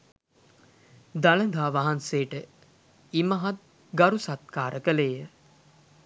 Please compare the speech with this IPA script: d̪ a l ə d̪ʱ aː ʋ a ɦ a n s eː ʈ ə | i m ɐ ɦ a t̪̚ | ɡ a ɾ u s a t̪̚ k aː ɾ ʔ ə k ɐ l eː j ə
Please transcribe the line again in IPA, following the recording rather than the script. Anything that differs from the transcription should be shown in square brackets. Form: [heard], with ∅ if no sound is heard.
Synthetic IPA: d̪ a l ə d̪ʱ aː ʋ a ɦ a n s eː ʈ ə | i m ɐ ɦ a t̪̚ | ɡ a ɾ u s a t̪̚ k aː ɾ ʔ ə k [ə] l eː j ə